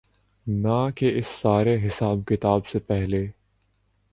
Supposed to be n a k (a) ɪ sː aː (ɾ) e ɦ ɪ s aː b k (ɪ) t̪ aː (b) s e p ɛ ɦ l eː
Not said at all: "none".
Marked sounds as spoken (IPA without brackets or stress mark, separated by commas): e, ɾ, ɪ, b